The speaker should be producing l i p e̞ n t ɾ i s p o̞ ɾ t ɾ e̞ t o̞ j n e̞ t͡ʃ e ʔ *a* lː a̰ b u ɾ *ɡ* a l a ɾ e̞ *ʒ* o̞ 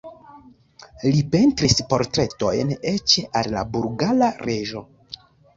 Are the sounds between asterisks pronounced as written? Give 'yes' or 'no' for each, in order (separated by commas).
yes, yes, yes